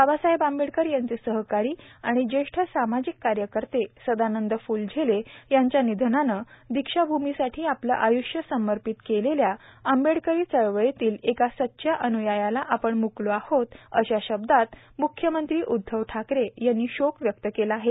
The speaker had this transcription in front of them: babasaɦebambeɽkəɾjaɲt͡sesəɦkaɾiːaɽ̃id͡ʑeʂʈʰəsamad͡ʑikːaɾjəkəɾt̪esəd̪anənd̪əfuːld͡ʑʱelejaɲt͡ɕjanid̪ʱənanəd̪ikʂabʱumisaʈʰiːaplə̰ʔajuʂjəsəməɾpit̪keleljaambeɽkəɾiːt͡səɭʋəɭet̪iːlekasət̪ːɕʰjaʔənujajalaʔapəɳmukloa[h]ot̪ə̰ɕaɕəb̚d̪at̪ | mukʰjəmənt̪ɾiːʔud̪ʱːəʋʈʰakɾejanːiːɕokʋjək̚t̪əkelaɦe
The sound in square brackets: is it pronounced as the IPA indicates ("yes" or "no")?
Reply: yes